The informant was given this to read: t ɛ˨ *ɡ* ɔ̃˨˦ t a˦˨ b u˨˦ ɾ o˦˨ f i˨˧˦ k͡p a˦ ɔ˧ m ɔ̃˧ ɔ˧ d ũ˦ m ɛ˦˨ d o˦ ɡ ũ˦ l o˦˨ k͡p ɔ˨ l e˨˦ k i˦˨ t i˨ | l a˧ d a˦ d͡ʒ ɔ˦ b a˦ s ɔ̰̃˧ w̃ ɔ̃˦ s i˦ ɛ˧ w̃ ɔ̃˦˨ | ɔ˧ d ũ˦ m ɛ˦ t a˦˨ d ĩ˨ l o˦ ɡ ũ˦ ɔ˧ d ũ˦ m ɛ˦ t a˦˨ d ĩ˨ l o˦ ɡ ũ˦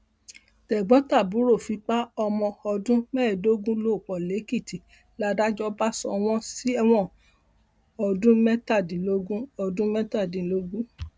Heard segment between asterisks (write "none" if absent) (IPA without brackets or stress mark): ɡ͡b